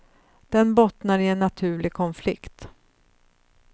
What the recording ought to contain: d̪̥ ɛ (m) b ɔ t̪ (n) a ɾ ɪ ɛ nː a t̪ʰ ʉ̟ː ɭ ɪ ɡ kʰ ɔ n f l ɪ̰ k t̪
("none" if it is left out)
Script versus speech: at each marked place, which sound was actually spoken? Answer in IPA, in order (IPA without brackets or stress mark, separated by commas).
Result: n, n